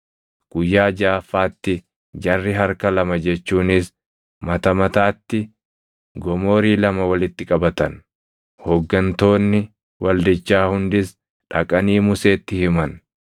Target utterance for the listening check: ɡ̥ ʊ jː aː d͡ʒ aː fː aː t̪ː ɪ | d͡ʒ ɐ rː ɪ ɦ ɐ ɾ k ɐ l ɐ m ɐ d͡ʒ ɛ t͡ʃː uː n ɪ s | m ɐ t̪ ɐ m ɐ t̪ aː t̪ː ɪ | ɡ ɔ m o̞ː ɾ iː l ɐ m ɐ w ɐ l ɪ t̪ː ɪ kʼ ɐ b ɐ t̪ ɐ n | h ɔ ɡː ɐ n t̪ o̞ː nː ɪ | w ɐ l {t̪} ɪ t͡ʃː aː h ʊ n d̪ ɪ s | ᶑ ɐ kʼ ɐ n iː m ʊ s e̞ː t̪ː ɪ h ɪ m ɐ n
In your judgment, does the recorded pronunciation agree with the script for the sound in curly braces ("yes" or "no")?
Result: no